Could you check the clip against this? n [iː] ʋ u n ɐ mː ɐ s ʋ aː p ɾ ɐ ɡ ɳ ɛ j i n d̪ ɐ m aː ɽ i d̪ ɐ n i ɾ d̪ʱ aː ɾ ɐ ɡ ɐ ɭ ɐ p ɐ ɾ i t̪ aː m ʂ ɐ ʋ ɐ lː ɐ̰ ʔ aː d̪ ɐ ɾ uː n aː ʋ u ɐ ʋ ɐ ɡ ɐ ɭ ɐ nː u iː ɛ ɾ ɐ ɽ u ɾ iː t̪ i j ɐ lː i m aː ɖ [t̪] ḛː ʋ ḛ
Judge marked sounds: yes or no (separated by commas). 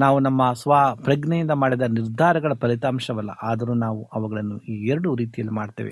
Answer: no, yes